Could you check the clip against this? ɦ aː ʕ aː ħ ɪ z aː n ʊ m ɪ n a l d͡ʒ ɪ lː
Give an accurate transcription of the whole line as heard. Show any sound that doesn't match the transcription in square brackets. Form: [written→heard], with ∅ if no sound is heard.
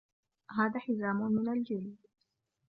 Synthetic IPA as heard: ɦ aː [ʕ→ð] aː ħ ɪ z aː [n→m] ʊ m ɪ n a l d͡ʒ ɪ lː